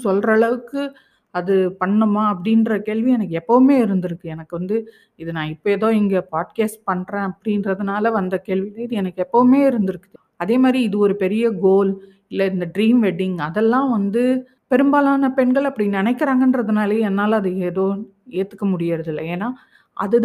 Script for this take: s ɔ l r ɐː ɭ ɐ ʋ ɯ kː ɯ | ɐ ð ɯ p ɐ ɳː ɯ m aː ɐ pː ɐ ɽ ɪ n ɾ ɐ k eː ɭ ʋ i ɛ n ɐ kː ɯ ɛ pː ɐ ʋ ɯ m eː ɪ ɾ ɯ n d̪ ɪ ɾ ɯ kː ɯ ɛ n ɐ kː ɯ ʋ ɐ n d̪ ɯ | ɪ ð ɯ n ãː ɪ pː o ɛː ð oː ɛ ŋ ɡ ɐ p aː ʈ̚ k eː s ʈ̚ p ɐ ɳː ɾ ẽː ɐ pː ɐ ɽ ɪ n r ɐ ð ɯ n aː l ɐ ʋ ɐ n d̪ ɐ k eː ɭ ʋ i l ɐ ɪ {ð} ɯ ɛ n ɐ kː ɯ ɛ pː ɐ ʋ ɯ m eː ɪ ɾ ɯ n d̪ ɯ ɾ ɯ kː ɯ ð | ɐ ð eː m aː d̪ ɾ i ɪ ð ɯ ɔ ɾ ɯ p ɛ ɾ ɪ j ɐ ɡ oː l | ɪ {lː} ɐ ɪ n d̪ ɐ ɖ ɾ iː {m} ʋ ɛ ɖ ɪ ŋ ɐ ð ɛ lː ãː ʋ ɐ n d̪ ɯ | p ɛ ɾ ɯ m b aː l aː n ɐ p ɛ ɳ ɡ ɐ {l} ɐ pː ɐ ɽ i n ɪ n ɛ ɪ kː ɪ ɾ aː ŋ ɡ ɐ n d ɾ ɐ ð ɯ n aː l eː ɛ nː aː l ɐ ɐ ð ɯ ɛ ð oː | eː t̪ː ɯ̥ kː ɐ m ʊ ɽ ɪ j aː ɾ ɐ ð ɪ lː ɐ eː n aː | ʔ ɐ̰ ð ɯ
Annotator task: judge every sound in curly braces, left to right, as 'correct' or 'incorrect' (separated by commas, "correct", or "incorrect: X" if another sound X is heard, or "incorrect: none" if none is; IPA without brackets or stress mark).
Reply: correct, correct, correct, incorrect: ɭ